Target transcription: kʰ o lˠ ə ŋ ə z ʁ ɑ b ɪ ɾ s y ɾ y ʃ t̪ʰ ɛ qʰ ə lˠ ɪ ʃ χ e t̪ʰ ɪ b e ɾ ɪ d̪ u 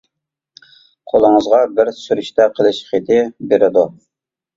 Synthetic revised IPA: qʰ o lˠ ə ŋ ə z ʁ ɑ b ɪ ɾ s y ɾ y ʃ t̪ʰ ɛ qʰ ə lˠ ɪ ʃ χ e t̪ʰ ɪ b e ɾ ɪ d̪ u